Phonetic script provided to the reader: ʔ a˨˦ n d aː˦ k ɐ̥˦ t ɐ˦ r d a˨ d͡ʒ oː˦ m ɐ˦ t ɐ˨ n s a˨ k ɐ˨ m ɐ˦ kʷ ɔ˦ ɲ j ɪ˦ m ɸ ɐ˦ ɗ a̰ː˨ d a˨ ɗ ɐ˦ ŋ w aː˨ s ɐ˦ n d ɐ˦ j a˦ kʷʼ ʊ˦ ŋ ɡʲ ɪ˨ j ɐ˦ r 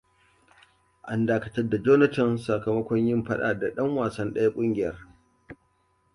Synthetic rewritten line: ʔ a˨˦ n d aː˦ k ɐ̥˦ t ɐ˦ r d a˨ d͡ʒ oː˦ n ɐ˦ t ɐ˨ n s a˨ k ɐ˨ m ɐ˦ kʷ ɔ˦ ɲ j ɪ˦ m ɸ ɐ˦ ɗ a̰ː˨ d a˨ ɗ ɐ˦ ŋ w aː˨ s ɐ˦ n ɗ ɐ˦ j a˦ kʷʼ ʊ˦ ŋ ɡʲ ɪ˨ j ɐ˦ r